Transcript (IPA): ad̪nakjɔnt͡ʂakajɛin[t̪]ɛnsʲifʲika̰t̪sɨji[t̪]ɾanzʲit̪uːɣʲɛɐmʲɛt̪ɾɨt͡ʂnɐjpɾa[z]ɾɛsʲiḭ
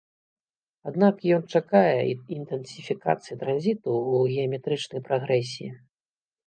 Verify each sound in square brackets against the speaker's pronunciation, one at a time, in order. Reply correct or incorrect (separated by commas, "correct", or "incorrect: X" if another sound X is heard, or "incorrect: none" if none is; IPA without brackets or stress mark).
correct, correct, incorrect: ɣ